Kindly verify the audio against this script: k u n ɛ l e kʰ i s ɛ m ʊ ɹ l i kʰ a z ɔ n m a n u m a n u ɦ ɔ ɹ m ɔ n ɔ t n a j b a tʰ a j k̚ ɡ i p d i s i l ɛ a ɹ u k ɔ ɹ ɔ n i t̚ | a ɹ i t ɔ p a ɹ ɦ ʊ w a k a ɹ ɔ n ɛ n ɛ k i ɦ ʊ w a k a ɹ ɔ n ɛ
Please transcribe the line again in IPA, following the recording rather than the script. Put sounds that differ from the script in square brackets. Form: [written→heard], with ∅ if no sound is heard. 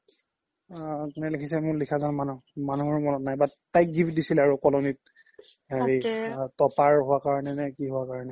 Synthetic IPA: k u n ɛ l e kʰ i s ɛ m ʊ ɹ l i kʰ a z ɔ n m a n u m a n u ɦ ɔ ɹ m ɔ n ɔ t n a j b a [tʰ→t] a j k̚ ɡ i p d i s i l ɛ a ɹ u k ɔ [ɹ→l] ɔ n i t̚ | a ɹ i t ɔ p a ɹ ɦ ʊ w a k a ɹ ɔ n ɛ n ɛ k i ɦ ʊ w a k a ɹ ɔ n ɛ